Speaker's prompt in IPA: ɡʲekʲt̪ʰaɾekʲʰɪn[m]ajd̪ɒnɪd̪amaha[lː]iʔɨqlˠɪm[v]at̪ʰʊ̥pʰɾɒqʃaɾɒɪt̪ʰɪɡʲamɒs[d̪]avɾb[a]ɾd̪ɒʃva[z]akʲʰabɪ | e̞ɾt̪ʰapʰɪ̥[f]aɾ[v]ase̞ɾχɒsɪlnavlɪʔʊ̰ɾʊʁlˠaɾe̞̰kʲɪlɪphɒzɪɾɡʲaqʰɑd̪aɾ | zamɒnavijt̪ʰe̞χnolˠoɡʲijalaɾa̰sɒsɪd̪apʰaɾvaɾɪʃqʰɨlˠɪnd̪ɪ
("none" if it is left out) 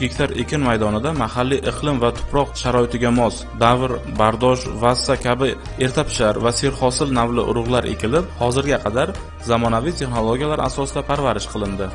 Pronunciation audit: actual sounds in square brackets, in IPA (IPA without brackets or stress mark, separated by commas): m, lː, v, d̪, a, s, ʃ, v